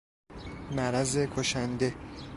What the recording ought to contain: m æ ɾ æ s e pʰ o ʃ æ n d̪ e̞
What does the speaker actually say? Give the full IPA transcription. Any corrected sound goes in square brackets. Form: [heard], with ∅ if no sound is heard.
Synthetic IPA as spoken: m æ ɾ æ [z] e [kʰ] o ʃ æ n d̪ e̞